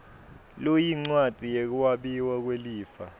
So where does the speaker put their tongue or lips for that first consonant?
tongue tip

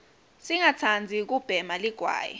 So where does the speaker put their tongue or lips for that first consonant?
tongue tip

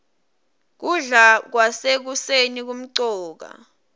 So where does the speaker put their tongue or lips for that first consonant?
velum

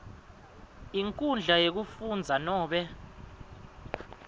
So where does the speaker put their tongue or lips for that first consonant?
velum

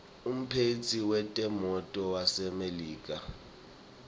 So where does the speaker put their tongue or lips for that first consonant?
lips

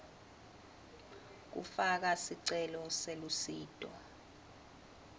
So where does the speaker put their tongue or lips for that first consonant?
velum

